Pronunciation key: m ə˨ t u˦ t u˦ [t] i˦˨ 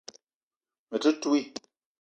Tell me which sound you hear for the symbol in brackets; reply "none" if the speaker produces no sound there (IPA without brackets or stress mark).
none